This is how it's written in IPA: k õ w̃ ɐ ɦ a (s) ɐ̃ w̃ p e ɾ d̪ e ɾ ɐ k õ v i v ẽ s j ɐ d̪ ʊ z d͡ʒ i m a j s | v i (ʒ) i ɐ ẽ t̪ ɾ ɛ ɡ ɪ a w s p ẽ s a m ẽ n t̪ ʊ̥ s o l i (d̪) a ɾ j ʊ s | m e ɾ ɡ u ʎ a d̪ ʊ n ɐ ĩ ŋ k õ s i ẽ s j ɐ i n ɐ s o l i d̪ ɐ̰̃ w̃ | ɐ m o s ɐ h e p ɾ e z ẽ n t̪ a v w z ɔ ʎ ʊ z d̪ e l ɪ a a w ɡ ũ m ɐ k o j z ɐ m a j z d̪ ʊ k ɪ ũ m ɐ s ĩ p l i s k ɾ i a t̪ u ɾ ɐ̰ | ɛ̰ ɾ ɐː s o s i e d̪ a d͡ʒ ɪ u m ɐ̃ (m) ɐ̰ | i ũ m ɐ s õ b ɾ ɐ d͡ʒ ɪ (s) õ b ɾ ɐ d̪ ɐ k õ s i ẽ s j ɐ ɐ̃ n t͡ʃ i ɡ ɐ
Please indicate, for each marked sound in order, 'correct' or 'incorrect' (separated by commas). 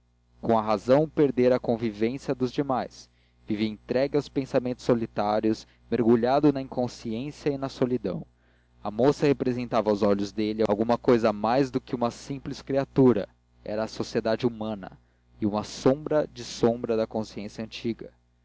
incorrect, incorrect, incorrect, incorrect, correct